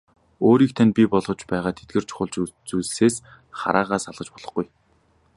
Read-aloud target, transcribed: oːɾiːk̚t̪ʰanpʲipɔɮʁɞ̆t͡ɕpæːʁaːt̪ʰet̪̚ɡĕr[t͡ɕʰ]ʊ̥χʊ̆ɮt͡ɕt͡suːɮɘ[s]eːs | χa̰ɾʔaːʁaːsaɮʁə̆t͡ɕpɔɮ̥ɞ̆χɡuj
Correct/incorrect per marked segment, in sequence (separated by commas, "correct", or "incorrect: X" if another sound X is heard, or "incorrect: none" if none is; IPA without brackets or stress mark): correct, correct